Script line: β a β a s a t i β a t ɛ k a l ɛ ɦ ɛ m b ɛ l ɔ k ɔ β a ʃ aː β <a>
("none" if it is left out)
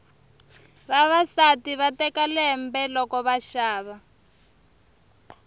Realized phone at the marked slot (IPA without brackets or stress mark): a